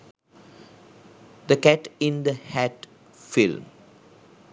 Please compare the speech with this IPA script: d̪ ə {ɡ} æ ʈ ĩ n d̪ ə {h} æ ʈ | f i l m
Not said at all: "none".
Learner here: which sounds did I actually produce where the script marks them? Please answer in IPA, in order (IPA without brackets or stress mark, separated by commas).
k, h